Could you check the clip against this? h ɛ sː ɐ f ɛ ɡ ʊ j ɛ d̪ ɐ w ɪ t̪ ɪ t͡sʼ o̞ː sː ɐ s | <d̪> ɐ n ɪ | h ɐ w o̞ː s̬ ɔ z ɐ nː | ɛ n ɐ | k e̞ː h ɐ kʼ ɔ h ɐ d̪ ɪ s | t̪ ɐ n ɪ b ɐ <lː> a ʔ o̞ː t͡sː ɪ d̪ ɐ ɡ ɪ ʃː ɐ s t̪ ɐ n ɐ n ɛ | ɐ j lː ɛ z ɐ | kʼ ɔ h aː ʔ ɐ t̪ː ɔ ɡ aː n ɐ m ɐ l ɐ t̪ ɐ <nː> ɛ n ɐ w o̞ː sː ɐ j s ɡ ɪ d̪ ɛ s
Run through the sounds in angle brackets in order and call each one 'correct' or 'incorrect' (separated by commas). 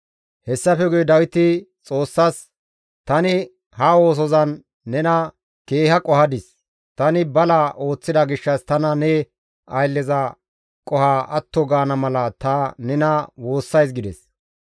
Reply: incorrect, incorrect, incorrect